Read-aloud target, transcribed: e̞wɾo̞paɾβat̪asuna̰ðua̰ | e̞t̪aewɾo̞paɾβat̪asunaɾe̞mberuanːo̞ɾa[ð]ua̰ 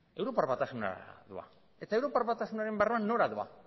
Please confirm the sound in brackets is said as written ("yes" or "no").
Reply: yes